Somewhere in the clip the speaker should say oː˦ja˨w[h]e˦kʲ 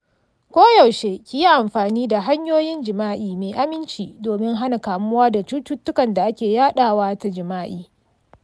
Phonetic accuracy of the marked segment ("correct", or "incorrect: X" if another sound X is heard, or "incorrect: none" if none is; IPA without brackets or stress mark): incorrect: ʃ